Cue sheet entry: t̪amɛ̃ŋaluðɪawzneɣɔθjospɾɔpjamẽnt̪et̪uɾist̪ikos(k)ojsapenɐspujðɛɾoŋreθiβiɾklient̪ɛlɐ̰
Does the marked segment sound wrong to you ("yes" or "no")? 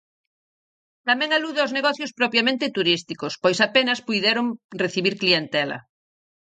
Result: yes